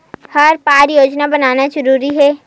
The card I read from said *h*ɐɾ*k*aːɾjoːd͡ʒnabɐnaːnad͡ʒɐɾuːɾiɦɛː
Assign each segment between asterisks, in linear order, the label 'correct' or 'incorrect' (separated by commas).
correct, incorrect